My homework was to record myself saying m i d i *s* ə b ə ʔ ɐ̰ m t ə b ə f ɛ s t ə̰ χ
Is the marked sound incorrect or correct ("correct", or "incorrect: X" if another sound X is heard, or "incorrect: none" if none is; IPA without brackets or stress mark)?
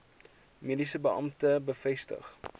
correct